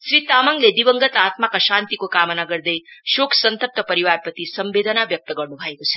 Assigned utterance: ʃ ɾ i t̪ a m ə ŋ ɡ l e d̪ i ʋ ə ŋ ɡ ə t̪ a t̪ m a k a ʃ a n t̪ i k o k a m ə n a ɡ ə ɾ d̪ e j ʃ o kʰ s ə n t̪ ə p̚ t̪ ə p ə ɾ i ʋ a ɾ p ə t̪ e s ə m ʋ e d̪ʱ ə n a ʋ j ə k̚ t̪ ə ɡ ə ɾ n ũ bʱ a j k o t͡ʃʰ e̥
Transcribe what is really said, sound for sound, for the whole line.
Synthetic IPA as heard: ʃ ɾ i t̪ a m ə ŋ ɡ l e d̪ i ʋ ə ŋ ɡ ə t̪ a t̪ m a k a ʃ a n t̪ i k o k a m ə n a ɡ ə ɾ d̪ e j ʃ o kʰ s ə n t̪ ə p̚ t̪ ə p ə ɾ i ʋ a ɾ p ə t̪ i s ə m ʋ e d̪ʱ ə n a ʋ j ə k̚ t̪ ə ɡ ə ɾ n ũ bʱ a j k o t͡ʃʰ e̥

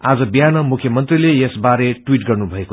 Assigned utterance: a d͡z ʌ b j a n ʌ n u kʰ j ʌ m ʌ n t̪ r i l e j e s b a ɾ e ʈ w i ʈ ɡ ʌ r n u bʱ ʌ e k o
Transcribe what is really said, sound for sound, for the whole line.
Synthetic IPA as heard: a d͡z ʌ b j a n ʌ m u kʰ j ʌ m ʌ n t̪ r i l e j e s b a ɾ e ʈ w i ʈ ɡ ʌ r n u bʱ ʌ e k o

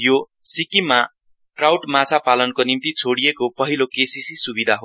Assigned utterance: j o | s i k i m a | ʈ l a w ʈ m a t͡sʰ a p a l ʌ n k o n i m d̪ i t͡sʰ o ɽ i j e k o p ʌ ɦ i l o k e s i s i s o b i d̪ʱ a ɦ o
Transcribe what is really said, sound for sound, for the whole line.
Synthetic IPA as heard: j o | s i k i m a | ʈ r a w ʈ m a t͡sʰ a p a l ʌ n k o n i m t̪ i t͡sʰ o ɽ i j e k o p ʌ ɦ i l o k e s i s i s u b i d̪ʱ a ɦ o

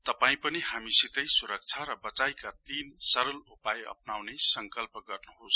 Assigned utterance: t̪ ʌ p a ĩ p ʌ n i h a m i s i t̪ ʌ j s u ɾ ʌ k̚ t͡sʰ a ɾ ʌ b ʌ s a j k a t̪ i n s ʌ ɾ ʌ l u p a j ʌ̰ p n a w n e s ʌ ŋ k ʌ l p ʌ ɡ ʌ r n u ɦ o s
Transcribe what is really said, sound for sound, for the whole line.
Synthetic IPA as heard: t̪ ʌ p a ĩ p ʌ n i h a m i s i t̪ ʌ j s u ɾ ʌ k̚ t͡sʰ a ɾ ʌ b ʌ t͡s a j k a t̪ i n s ʌ ɾ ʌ l u p a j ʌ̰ p n a w n e s ʌ ŋ k ʌ l p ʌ ɡ ʌ r n u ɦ o s

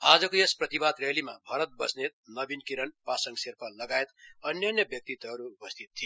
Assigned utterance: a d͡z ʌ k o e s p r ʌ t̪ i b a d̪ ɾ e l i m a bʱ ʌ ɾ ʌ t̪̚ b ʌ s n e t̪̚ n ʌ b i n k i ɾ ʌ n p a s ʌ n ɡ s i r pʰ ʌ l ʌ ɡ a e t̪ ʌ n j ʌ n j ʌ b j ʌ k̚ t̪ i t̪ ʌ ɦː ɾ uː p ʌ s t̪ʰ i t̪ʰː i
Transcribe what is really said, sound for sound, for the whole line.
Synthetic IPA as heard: a d͡z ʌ k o e s p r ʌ t̪ i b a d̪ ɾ e l i m a bʱ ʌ ɾ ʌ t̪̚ b ʌ s n e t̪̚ n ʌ b i n k i ɾ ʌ n p a s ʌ ŋ ɡ s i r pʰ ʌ l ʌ ɡ a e t̪ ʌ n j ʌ n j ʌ b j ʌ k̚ t̪ i t̪ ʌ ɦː ɾ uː p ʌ s t̪ʰ i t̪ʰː i

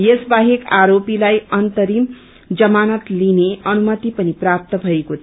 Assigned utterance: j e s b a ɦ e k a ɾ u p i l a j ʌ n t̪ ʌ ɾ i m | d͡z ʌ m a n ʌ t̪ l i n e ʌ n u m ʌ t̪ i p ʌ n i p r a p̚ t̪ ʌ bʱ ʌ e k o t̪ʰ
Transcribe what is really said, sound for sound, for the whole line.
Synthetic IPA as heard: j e s b a ɦ e k a ɾ o p i l a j ʌ n t̪ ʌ ɾ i m | d͡z ʌ m a n ʌ t̪ l i n e ʌ n u m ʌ t̪ i p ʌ n i p r a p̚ t̪ ʌ bʱ ʌ e k o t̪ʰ

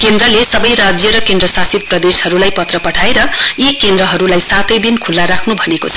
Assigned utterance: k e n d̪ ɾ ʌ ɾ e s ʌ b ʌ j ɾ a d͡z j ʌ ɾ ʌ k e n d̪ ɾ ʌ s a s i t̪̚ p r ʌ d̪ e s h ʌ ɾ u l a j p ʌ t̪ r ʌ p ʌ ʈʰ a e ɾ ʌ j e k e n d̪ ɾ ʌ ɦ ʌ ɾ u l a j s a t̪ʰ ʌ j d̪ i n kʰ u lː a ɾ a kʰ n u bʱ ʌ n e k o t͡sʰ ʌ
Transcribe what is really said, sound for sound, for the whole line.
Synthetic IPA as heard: k e n d̪ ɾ ʌ l e s ʌ b ʌ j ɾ a d͡z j ʌ ɾ ʌ k e n d̪ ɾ ʌ s a s i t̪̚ p r ʌ d̪ e s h ʌ ɾ u l a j p ʌ t̪ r ʌ p ʌ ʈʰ a e ɾ ʌ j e k e n d̪ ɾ ʌ ɦ ʌ ɾ u l a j s a t̪ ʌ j d̪ i n kʰ u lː a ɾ a kʰ n u bʱ ʌ n e k o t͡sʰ ʌ

